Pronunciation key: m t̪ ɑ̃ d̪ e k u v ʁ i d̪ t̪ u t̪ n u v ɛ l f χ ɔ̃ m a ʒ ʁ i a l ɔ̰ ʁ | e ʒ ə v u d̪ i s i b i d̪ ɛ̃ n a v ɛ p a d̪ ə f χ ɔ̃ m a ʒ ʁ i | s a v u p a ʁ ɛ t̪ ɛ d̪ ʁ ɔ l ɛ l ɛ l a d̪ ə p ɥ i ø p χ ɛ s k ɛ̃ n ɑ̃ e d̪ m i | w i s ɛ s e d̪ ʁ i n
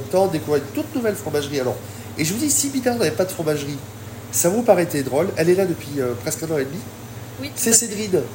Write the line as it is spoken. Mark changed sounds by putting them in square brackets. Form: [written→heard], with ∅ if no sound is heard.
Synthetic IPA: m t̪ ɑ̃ d̪ e k u v ʁ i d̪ t̪ u t̪ n u v ɛ l f χ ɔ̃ m a ʒ ʁ i a l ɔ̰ ʁ | e ʒ ə v u d̪ i s i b i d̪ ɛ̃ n a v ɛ p a d̪ ə f χ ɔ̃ m a ʒ ʁ i | s a v u p a ʁ ɛ t̪ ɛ d̪ ʁ ɔ l ɛ l ɛ l a d̪ ə p ɥ i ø p χ ɛ s k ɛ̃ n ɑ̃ e d̪ m i | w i s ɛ s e d̪ ʁ i n